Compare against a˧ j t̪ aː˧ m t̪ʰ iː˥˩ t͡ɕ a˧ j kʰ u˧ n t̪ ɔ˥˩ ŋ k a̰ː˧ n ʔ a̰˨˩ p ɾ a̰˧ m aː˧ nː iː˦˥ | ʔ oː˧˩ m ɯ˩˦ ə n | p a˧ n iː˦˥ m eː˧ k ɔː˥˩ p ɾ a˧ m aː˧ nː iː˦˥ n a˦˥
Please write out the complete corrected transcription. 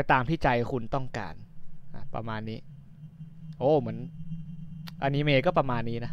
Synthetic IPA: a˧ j t̪ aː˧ m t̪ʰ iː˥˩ t͡ɕ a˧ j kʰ u˧ n t̪ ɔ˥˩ ŋ k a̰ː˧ n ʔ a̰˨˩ p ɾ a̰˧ m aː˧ nː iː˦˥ | ʔ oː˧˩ m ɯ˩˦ ə n | ʔ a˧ n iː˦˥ m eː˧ k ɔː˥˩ p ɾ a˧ m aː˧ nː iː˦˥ n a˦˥